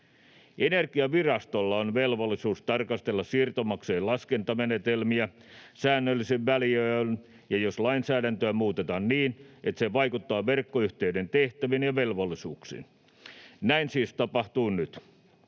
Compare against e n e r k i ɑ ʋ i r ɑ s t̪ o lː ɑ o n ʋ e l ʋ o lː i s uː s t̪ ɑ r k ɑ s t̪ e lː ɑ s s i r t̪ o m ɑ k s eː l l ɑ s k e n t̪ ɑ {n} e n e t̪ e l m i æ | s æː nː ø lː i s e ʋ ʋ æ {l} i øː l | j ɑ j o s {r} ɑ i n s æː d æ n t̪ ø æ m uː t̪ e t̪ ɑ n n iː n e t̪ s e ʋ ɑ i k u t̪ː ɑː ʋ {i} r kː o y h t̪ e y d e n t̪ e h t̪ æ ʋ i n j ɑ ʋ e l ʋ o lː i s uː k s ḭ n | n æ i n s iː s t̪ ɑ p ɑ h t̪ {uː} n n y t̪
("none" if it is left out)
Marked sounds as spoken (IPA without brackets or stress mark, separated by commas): m, l, l, e, uː